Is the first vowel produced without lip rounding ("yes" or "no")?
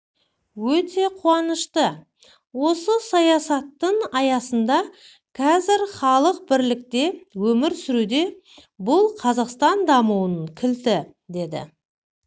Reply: no